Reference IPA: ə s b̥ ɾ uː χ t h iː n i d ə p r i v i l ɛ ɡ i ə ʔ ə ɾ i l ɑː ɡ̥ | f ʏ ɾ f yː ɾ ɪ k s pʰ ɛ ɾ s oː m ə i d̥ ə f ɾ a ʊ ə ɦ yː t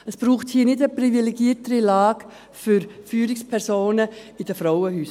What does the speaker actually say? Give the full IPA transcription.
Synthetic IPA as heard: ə s b̥ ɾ uː χ t h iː n ɪ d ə p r i v i l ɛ ɡ i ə t ə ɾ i l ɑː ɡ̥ | f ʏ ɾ f yː ɾ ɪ k s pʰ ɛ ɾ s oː n ə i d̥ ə f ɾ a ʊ ə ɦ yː s